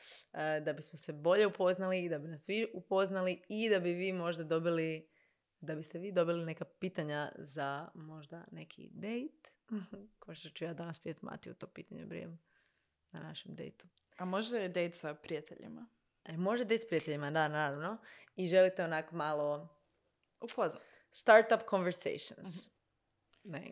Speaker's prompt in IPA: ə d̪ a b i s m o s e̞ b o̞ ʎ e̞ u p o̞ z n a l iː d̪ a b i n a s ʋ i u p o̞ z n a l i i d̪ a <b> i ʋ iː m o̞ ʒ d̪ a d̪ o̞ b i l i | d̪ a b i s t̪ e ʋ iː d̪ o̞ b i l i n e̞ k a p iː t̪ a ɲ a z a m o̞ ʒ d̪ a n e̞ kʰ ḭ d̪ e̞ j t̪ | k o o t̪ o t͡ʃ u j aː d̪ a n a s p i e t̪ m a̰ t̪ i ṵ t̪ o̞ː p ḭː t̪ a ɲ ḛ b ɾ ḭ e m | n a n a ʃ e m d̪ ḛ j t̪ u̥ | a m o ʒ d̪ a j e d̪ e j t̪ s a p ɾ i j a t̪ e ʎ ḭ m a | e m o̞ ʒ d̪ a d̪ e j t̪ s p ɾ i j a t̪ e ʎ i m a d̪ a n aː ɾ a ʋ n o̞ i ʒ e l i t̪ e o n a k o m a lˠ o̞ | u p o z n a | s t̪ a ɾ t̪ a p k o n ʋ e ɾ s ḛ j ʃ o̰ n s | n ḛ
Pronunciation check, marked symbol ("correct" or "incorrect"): correct